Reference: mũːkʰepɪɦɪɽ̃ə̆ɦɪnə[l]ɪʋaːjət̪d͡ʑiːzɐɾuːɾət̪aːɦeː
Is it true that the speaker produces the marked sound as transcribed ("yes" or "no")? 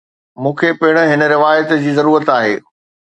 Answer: no